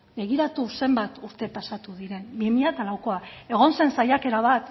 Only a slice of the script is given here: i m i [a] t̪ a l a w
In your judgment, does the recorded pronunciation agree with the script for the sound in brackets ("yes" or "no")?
yes